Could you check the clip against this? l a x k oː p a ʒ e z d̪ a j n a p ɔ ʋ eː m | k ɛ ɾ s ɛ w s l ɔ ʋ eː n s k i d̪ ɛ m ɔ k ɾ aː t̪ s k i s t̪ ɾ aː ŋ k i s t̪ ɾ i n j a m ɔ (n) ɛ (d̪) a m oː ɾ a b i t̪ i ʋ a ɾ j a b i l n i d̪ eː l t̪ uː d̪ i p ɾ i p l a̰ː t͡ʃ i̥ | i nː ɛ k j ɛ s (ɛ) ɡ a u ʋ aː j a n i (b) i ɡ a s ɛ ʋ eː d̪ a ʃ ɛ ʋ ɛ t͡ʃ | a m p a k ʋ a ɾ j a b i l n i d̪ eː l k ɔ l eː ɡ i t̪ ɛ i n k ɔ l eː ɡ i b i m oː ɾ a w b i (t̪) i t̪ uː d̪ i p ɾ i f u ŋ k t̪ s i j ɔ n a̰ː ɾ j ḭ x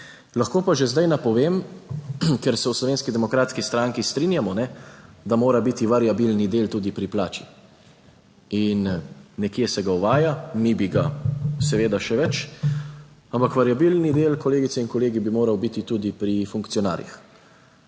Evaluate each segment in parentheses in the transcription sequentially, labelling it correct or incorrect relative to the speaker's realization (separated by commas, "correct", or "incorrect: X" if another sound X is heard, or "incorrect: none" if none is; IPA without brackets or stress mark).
correct, correct, correct, correct, correct